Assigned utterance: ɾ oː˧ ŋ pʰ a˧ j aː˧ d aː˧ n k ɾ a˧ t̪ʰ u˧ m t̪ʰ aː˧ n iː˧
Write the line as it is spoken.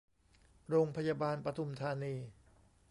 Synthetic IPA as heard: ɾ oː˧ ŋ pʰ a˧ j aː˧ b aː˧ n p ɾ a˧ t̪ʰ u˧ m t̪ʰ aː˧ n iː˧